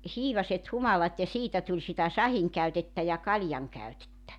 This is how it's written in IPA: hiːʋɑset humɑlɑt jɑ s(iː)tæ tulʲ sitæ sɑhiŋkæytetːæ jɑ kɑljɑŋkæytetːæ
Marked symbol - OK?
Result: yes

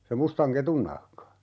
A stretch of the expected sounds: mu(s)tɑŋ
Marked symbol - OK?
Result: yes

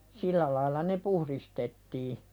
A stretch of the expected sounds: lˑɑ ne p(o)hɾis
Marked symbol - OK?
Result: no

